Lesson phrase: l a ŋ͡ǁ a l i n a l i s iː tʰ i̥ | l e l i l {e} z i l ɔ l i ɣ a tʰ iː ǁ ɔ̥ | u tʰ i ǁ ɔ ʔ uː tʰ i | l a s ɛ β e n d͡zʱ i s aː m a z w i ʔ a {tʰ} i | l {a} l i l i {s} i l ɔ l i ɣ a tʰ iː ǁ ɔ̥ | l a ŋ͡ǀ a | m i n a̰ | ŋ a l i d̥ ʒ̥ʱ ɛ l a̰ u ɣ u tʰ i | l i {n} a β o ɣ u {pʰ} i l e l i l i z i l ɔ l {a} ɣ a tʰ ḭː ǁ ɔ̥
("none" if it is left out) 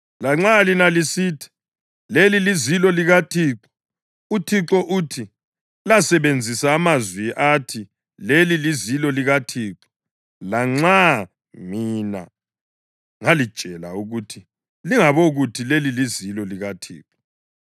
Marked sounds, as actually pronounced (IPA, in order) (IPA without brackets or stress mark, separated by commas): i, tʰ, e, z, ŋ, tʰ, i